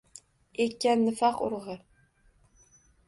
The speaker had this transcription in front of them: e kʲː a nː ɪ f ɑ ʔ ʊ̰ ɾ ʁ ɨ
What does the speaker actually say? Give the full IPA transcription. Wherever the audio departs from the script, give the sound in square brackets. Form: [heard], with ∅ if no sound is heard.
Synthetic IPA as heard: e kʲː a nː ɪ f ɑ [q] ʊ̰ ɾ ʁ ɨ